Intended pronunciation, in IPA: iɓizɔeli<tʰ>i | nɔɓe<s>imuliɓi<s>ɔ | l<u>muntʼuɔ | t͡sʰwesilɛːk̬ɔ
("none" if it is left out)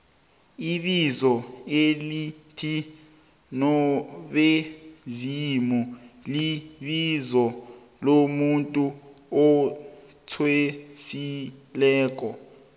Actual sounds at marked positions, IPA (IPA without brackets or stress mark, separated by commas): tʰ, z, z, o